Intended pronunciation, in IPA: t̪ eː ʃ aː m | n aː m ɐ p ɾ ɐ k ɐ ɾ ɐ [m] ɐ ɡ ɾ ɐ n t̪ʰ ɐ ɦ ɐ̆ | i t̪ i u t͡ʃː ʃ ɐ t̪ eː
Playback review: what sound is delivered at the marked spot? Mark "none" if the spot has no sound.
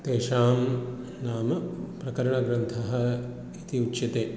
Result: ɳ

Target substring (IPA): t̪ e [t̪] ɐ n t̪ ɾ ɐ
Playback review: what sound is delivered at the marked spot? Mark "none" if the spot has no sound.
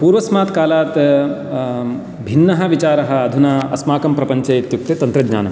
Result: t̪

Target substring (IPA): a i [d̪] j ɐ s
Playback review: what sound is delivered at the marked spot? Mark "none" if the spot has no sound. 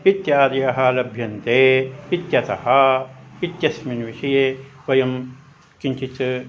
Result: t̪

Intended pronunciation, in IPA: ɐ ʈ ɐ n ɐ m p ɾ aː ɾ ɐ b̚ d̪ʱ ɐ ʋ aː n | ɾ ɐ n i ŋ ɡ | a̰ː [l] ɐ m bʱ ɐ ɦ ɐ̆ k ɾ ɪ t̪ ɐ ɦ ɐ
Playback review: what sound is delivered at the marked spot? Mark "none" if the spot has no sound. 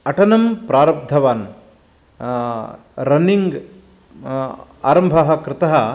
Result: ɾ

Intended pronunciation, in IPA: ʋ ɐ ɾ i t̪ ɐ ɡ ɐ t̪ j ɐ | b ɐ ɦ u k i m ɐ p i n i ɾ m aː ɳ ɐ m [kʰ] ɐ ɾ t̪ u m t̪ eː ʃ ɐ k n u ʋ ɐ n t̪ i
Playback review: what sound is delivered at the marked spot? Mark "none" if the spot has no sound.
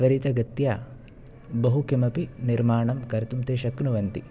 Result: k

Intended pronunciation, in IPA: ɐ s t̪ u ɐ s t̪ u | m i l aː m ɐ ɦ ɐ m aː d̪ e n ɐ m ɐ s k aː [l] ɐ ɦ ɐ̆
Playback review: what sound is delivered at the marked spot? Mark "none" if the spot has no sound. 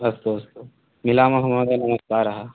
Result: ɾ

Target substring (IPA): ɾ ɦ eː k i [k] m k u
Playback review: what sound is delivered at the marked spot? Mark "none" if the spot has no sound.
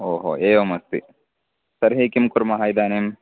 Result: none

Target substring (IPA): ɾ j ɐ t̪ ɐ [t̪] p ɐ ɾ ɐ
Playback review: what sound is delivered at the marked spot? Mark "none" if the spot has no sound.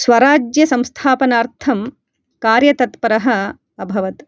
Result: t̪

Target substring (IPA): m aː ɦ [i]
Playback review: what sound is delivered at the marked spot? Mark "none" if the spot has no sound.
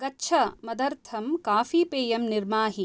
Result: i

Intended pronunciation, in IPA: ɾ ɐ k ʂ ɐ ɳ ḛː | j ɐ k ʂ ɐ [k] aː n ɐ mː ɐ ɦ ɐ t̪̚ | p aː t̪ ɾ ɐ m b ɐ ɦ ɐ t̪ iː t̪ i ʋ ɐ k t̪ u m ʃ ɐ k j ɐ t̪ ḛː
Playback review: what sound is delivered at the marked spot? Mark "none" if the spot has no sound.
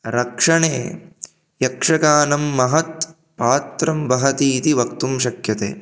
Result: k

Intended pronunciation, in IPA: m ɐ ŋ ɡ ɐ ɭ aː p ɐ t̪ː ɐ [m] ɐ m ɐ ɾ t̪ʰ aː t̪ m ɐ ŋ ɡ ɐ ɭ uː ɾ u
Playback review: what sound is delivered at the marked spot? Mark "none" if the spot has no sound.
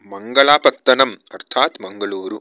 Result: n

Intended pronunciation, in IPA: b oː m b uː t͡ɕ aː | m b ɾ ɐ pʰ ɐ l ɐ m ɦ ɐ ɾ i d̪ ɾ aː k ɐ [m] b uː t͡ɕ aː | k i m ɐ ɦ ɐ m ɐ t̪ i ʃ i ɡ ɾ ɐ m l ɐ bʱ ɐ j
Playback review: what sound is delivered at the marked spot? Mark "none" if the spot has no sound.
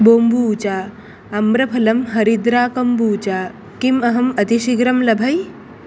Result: m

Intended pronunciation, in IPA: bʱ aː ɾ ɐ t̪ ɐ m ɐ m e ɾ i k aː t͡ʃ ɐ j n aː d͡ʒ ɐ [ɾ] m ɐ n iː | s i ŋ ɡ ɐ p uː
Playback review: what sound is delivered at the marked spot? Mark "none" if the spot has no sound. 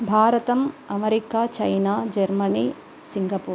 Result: ɾ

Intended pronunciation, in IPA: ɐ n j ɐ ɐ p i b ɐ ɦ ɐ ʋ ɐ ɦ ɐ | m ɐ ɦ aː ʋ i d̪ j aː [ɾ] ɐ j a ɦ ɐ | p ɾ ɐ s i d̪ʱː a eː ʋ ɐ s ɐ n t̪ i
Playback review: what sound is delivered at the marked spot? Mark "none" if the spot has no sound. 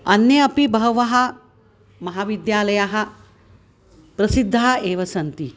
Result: l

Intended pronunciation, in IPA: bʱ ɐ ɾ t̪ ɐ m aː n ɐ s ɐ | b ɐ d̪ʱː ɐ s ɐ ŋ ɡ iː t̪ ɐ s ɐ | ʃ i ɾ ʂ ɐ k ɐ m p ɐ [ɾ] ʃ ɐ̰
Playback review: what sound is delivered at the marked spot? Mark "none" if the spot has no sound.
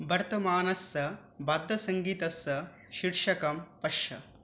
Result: none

